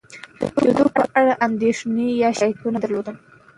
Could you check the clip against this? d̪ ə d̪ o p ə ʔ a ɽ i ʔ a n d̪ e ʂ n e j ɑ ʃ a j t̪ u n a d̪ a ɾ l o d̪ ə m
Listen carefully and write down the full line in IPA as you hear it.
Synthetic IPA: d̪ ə d̪ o p ə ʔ a ɽ a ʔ a n d̪ e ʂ n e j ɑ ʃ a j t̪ u n a d̪ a ɾ l o d̪ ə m